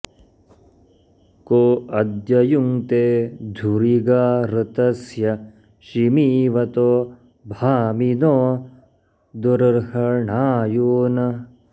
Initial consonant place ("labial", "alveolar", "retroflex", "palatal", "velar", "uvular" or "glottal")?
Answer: velar